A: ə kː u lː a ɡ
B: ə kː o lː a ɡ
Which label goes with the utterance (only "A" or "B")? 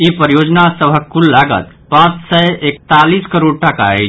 A